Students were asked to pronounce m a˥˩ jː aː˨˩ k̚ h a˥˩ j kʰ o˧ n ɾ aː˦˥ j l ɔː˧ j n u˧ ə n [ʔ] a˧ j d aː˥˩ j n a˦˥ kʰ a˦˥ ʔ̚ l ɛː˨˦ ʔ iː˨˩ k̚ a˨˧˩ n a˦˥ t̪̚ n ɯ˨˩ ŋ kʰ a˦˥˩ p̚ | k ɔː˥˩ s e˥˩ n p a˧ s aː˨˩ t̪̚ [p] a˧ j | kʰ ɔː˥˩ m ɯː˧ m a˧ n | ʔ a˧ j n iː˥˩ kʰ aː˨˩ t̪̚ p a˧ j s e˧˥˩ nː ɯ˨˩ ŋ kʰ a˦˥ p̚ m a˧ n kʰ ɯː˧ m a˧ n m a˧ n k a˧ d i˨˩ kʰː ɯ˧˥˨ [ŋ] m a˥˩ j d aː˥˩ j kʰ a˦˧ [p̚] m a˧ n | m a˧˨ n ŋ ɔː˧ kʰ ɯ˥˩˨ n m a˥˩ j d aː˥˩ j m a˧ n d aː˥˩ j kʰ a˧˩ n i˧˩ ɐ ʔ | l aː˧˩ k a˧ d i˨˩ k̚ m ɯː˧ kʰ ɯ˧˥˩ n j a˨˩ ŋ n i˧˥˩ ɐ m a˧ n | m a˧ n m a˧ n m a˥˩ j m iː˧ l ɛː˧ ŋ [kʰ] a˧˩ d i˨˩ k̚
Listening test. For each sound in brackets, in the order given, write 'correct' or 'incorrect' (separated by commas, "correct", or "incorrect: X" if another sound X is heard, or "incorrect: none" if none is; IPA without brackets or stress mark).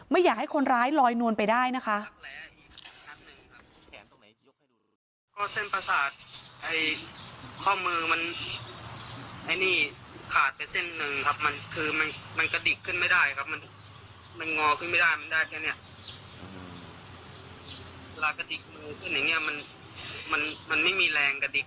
incorrect: p, incorrect: ʔ, incorrect: n, correct, incorrect: k